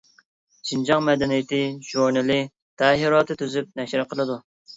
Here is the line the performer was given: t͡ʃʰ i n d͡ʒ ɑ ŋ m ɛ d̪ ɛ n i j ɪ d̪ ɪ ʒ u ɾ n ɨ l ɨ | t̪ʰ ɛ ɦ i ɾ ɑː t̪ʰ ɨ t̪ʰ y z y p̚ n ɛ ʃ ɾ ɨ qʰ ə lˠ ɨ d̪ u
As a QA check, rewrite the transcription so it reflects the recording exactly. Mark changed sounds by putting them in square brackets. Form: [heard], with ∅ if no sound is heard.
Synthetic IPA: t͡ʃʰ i n d͡ʒ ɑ ŋ m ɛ d̪ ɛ n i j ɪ [t̪] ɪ ʒ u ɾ n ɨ l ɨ | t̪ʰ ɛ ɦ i ɾ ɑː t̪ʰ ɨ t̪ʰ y z y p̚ n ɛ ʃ ɾ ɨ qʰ ə lˠ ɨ d̪ u